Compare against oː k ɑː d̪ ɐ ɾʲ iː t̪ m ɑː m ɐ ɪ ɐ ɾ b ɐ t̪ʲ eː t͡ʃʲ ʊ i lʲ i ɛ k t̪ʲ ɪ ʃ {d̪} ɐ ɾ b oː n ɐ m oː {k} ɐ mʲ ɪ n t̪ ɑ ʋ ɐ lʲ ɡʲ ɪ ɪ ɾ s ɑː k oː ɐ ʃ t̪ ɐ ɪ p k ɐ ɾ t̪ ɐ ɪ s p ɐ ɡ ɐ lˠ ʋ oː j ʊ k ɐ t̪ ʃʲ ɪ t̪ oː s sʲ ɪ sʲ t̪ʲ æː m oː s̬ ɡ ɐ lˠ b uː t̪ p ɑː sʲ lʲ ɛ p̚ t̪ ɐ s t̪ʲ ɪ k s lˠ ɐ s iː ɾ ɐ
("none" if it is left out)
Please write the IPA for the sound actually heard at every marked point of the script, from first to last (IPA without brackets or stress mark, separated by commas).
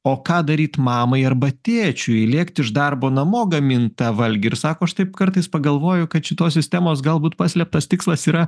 d̪, ɡ